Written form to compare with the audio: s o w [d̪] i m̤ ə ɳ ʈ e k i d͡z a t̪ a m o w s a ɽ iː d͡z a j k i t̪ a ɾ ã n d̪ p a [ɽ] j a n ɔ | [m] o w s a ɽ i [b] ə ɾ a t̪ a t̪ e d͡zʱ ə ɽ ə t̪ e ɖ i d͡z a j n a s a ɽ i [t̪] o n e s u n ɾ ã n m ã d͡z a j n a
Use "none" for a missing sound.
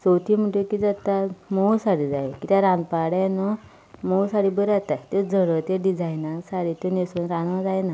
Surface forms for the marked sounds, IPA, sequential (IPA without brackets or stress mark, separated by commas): t̪, ɽ, m, b, t̪